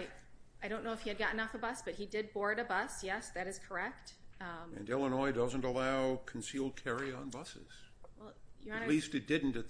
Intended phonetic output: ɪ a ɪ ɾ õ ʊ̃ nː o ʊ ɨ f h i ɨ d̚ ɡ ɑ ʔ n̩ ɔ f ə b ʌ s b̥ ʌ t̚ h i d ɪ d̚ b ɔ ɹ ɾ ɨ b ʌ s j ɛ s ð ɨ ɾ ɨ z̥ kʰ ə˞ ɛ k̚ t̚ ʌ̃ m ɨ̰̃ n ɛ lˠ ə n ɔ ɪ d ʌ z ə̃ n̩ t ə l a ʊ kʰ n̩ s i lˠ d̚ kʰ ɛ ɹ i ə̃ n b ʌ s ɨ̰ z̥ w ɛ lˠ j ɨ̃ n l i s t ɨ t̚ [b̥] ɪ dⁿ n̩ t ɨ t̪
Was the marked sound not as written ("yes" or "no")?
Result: yes